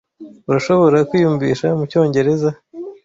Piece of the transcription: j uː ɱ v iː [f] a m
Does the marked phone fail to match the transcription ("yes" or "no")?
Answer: yes